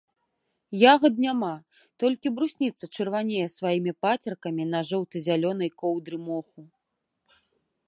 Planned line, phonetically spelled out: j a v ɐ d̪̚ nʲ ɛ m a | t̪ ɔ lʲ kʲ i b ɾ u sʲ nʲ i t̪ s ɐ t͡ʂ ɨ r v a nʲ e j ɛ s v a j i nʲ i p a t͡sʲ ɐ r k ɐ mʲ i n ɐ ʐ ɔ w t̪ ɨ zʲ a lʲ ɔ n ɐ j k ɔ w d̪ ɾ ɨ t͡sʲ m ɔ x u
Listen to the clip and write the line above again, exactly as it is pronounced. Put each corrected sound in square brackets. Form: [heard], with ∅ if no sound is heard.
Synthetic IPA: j a [ɣ] ɐ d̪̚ nʲ [a] m a | t̪ ɔ lʲ kʲ i b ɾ u sʲ nʲ i t̪ s ɐ t͡ʂ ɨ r v a nʲ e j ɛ s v a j i [mʲ] i p a t͡sʲ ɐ r k ɐ mʲ i n ɐ ʐ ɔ w t̪ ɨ zʲ a lʲ ɔ n ɐ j k ɔ w d̪ ɾ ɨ [∅] m ɔ x u